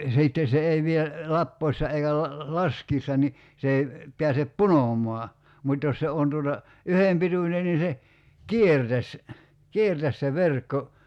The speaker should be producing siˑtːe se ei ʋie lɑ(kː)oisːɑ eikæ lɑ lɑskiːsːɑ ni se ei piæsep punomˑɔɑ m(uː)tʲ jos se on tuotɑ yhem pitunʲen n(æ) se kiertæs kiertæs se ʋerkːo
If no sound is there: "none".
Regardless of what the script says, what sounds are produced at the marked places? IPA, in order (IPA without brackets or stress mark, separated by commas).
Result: pː, u, i